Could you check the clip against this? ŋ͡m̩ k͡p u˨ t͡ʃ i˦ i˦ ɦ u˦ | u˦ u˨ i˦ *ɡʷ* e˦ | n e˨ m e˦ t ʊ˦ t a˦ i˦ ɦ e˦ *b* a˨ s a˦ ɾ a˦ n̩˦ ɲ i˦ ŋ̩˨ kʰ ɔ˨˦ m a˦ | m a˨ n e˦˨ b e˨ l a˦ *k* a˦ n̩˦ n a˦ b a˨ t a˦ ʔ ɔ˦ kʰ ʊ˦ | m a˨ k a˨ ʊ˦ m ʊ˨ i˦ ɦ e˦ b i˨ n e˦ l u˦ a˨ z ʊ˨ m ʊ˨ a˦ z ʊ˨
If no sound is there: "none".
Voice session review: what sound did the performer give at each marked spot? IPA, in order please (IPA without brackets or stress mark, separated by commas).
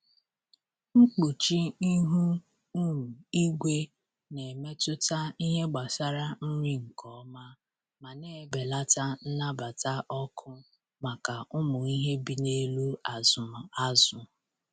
ɡʷ, ɡ͡b, t